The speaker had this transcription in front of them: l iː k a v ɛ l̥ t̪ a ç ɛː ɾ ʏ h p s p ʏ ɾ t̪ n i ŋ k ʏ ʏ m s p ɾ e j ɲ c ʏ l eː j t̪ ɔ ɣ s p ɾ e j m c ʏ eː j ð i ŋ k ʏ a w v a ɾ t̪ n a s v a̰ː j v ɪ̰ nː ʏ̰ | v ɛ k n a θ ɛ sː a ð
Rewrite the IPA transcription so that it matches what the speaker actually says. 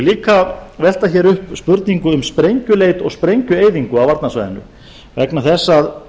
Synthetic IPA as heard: l iː k a v ɛ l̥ t̪ a ç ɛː ɾ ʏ h p s p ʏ ɾ t̪ n i ŋ k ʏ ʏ m s p ɾ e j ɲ c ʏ l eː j t̪ ɔ ɣ s p ɾ e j ɲ c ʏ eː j ð i ŋ k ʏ a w v a ɾ t̪ n a s v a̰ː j ð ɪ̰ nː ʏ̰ | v ɛ k n a θ ɛ sː a ð